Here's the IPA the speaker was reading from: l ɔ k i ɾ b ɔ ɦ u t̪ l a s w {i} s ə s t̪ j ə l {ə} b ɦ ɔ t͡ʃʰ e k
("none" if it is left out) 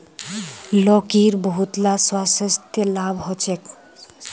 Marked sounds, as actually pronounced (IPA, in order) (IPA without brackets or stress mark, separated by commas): a, a